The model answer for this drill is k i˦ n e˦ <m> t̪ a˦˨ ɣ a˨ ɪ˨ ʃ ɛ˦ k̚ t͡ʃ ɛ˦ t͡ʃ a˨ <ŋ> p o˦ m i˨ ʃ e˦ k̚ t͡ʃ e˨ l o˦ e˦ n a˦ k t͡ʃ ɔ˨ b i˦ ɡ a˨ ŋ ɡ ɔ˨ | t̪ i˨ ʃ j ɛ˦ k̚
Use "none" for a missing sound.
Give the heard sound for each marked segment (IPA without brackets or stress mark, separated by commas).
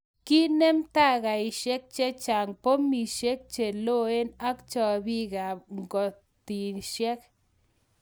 m, ŋ